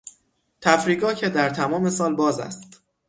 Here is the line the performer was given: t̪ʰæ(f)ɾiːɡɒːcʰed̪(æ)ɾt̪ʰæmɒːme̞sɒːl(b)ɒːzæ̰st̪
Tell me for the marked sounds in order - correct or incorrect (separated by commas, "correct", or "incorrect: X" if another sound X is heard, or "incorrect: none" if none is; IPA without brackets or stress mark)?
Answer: correct, correct, correct